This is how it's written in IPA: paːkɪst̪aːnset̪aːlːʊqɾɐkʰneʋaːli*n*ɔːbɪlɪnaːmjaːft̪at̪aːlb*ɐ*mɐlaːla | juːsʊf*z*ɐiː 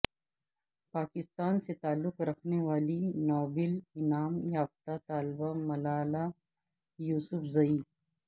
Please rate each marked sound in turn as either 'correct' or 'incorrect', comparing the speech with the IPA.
correct, incorrect: a, correct

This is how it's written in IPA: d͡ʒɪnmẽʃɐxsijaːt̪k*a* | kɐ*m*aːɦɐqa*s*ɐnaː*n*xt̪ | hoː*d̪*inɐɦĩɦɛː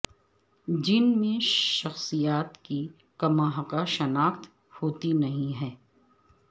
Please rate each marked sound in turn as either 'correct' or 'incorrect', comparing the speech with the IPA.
incorrect: i, correct, incorrect: ʃ, incorrect: none, incorrect: t̪

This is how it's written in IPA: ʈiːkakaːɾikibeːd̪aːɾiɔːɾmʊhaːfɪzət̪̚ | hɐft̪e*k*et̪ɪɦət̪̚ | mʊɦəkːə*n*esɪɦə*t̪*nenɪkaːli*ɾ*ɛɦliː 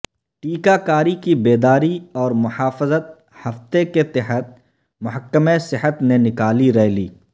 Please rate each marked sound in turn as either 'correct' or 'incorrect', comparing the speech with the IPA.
correct, incorrect: m, correct, correct

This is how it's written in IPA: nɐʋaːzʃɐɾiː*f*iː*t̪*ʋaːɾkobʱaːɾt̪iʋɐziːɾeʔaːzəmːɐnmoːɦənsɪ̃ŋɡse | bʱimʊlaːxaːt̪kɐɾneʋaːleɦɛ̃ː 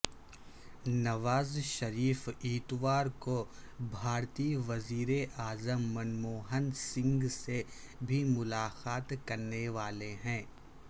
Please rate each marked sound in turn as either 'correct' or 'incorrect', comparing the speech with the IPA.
correct, correct

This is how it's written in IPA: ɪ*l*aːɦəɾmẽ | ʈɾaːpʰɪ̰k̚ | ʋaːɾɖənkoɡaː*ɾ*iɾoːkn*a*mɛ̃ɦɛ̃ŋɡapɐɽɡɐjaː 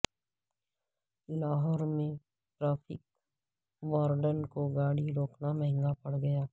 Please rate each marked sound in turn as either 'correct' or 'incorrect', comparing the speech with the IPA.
correct, incorrect: ɽ, correct

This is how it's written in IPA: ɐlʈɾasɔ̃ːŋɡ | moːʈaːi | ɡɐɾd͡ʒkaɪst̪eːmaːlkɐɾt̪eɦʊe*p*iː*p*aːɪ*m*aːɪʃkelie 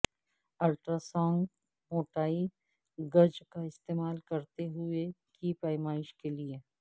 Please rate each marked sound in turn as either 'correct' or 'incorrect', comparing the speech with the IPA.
incorrect: k, correct, correct

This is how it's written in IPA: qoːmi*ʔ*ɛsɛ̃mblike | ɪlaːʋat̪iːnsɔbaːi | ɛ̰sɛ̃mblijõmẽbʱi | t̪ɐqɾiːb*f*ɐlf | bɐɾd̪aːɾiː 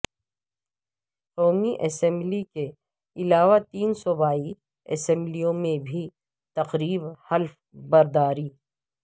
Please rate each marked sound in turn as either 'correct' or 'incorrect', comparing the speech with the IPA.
correct, incorrect: h

